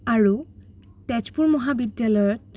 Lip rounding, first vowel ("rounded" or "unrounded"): unrounded